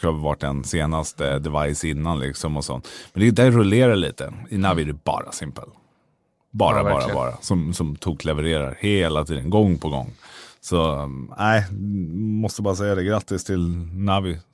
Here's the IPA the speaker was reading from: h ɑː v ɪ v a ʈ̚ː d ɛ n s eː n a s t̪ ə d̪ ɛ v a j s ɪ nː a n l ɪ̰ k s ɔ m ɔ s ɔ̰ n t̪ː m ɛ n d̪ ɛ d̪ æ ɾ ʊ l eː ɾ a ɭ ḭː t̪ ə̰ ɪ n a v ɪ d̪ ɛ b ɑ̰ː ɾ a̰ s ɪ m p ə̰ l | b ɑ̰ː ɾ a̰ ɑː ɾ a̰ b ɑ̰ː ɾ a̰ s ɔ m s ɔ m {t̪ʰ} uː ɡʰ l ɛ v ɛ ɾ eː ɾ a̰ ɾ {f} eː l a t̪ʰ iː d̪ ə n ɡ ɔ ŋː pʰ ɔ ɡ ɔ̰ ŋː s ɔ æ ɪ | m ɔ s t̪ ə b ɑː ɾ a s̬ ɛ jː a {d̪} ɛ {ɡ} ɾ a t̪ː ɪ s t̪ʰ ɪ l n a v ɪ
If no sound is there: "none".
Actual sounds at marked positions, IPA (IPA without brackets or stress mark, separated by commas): t̪ʰ, h, d̪, ɡ